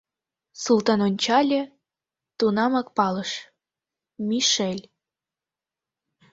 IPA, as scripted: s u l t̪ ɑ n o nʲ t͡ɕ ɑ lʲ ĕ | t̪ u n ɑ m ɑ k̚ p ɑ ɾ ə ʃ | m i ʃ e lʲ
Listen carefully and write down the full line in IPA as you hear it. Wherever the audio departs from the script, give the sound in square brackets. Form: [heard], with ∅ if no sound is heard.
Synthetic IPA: s u l t̪ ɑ n o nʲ t͡ɕ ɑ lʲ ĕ | t̪ u n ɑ m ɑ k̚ p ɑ [l] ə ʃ | m i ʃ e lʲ